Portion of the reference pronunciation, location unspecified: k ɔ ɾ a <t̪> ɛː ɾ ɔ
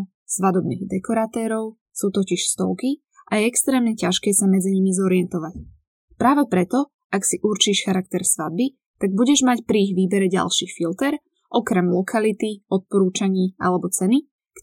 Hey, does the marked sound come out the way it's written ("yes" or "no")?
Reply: yes